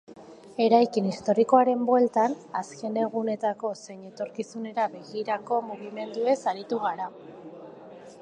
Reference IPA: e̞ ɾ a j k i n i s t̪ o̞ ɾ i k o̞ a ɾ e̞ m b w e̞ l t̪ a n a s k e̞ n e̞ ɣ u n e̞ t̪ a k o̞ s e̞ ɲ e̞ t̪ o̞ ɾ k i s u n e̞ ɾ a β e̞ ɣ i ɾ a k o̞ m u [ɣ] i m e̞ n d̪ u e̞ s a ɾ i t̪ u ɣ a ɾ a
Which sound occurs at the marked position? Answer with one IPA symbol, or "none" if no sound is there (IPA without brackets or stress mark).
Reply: ɣ